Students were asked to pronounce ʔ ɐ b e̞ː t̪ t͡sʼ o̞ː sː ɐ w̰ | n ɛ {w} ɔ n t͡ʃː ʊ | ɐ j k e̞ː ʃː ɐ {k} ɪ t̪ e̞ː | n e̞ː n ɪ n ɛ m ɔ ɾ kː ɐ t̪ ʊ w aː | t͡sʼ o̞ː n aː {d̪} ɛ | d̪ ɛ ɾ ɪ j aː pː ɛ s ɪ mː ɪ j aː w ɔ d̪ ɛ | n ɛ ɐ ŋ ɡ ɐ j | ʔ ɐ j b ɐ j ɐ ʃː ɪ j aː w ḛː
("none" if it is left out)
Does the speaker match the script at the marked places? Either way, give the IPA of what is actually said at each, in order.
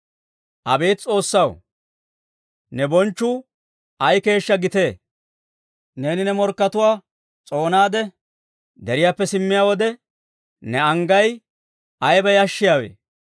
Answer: b, ɡ, d̪

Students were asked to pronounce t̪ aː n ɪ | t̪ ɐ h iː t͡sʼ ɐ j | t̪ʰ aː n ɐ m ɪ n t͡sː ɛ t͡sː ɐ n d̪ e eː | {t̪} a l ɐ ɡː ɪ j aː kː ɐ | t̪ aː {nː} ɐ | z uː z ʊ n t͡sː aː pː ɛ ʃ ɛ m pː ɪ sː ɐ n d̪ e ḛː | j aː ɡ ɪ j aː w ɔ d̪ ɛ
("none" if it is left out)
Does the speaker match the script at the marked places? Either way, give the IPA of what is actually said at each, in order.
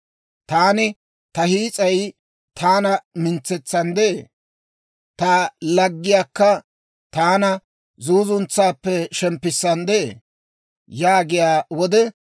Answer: t̪, n

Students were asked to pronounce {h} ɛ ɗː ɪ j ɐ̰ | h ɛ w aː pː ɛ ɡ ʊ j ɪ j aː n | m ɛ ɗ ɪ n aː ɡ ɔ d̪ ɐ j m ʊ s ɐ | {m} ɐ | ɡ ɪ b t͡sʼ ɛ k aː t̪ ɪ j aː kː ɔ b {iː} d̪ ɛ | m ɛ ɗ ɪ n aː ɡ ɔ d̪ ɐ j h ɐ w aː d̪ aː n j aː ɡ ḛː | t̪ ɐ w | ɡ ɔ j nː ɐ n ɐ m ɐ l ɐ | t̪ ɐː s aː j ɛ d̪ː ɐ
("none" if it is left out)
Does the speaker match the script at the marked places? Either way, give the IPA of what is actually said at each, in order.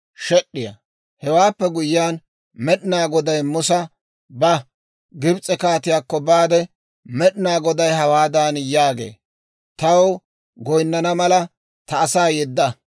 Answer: ʃ, b, aː

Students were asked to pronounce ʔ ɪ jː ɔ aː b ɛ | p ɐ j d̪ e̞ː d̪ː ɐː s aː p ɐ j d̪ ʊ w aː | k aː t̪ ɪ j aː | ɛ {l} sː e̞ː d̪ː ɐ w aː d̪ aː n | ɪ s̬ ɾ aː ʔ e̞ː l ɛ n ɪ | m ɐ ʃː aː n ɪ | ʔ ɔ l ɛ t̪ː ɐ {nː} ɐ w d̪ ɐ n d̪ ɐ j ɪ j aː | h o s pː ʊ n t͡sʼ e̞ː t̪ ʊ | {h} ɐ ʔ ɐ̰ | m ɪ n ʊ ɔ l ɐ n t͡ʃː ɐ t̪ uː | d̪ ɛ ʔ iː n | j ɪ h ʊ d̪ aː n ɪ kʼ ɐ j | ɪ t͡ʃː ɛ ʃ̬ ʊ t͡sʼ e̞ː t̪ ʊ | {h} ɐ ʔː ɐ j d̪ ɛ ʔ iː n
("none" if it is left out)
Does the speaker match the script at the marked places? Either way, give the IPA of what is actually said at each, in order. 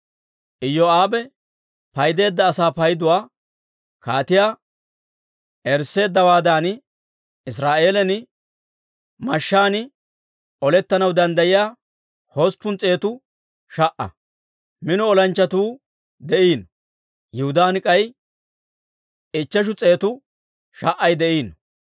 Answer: ɾ, n, ʃ, ʃ

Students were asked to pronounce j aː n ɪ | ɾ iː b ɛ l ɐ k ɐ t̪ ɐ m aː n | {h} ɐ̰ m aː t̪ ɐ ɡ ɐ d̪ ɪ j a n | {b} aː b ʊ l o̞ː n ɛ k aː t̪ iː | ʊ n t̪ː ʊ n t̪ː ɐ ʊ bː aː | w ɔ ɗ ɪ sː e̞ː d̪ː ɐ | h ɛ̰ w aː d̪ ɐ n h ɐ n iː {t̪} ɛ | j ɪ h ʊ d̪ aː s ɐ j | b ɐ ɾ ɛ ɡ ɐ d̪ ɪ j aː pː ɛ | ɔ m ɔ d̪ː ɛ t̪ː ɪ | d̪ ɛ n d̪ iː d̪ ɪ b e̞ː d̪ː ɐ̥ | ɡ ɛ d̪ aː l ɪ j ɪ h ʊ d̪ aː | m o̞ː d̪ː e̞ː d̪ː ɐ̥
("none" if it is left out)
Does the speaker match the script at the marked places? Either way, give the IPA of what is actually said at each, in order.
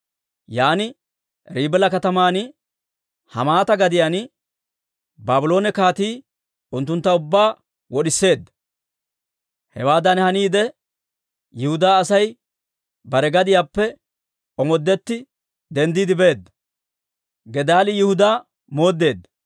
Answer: h, b, d̪

